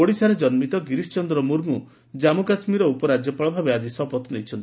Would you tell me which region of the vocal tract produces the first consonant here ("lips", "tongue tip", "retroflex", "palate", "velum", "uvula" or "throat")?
retroflex